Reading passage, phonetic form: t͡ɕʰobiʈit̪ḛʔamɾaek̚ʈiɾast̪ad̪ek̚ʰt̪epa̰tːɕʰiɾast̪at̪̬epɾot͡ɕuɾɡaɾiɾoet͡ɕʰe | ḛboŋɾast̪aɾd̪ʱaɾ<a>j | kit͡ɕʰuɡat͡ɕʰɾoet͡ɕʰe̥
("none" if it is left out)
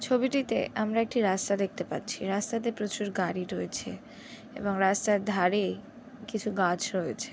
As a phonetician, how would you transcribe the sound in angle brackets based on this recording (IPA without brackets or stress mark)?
e